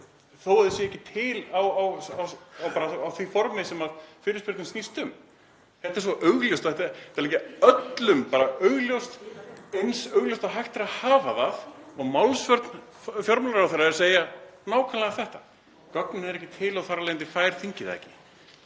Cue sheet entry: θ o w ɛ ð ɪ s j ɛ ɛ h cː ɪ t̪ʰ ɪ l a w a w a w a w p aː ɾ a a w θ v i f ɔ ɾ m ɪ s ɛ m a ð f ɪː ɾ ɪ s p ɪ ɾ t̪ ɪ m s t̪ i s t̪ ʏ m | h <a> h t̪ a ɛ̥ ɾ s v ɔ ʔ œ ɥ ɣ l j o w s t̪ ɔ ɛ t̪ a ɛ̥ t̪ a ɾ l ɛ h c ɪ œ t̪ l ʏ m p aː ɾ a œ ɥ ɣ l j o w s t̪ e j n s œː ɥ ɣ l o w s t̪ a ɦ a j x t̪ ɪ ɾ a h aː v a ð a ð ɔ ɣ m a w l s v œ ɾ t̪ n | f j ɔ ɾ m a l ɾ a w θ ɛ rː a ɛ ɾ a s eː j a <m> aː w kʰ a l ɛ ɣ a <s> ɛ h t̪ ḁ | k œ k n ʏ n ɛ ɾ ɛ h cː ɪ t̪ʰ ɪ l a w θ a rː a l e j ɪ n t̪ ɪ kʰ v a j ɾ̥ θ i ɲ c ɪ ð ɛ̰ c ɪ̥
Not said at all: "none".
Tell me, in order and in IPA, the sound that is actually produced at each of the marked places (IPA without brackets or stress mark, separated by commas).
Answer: ɛ, n, θ